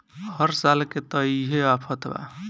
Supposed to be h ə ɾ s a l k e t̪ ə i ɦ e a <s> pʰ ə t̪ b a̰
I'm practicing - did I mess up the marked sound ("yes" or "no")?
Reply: yes